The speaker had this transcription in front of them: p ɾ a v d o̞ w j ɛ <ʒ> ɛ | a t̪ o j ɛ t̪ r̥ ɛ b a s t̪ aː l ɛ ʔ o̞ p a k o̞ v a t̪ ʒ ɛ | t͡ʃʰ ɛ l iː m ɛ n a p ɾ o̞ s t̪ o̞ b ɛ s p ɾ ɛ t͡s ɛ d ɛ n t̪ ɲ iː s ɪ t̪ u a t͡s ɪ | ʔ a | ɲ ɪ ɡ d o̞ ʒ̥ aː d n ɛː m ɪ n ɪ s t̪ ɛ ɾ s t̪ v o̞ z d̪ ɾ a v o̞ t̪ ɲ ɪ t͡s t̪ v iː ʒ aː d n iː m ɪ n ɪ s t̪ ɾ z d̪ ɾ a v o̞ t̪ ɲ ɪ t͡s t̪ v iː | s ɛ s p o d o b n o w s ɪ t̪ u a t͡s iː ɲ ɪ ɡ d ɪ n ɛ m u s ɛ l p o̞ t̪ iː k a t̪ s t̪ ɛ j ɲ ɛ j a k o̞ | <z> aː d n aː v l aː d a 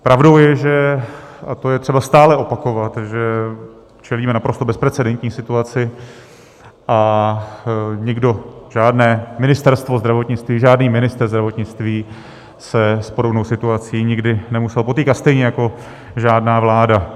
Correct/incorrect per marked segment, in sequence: correct, incorrect

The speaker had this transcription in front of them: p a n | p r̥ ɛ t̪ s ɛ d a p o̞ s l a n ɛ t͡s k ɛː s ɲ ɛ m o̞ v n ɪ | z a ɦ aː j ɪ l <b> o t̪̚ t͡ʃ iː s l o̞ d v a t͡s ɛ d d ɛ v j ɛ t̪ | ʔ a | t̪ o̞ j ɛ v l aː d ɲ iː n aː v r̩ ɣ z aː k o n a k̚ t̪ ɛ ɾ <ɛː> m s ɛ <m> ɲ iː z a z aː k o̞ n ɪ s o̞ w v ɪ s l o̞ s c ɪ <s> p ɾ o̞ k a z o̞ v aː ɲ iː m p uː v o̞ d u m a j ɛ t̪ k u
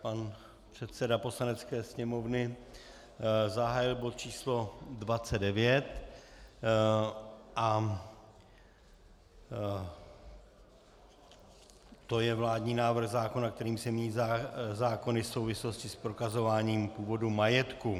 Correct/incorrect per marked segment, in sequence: correct, incorrect, correct, correct

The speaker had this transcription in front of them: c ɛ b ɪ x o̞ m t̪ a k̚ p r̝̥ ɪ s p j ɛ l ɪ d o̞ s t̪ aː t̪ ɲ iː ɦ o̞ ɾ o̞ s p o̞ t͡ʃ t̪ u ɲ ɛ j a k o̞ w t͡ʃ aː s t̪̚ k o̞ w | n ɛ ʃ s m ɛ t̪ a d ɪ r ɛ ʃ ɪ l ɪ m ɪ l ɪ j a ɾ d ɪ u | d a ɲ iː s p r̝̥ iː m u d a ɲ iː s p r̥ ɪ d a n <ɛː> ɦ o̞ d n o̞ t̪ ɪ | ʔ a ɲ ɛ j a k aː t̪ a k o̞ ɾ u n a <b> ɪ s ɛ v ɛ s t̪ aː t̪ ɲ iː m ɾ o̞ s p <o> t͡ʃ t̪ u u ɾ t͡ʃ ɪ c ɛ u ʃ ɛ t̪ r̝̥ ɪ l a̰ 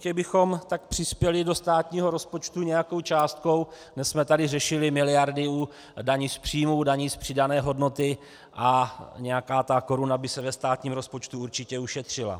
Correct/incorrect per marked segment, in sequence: correct, correct, correct

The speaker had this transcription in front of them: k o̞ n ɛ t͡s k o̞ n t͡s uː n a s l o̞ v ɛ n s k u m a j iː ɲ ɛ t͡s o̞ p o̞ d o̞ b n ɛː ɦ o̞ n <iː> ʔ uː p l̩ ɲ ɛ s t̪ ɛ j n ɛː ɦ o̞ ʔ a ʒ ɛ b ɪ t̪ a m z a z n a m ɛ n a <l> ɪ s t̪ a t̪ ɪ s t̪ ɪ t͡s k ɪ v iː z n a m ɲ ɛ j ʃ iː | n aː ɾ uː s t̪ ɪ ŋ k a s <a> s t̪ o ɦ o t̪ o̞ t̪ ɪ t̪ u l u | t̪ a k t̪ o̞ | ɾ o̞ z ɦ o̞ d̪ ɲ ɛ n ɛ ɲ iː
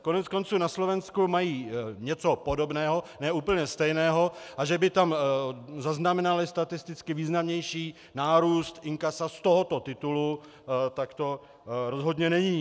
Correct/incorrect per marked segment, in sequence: incorrect, correct, correct

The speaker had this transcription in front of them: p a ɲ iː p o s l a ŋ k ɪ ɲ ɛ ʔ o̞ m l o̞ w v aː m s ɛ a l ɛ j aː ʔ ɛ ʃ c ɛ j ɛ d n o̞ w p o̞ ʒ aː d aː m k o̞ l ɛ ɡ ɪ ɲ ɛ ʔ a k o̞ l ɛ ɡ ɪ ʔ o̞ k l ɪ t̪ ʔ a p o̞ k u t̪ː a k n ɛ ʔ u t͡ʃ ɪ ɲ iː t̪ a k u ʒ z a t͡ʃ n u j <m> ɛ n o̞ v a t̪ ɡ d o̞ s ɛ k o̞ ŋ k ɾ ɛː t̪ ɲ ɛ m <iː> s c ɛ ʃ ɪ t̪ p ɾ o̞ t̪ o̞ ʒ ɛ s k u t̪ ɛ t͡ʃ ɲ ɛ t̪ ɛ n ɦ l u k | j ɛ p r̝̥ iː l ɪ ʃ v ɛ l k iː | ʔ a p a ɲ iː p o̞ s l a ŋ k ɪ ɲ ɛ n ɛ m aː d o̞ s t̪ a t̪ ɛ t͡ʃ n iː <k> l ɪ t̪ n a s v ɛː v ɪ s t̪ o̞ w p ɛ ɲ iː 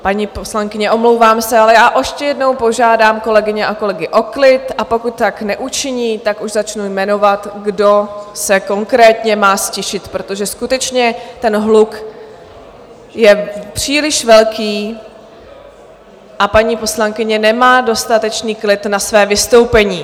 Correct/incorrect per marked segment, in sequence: correct, incorrect, correct

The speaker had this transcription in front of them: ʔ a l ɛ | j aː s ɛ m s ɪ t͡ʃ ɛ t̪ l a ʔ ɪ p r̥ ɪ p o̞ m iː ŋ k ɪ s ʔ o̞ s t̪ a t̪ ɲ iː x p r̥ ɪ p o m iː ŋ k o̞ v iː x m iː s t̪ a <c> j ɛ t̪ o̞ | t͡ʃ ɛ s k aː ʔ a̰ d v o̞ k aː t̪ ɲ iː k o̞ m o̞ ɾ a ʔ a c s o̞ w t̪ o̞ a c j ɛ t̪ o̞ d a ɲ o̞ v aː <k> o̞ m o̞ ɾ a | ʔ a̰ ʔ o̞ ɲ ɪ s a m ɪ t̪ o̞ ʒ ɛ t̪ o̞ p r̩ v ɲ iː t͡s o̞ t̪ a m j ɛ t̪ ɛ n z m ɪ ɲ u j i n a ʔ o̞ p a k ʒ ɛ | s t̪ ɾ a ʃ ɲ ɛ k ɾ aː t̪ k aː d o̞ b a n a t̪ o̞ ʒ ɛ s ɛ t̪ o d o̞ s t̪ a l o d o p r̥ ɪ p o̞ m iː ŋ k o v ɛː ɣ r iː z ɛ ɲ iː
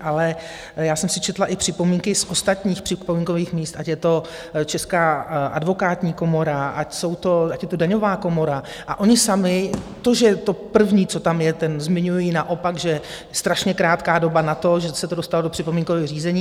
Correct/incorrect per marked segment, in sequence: correct, correct

